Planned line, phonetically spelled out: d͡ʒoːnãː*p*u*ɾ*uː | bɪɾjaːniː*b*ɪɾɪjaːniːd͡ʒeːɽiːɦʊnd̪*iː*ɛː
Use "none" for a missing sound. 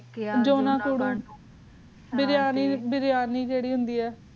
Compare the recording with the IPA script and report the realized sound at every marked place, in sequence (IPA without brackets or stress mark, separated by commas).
k, ɽ, b, iː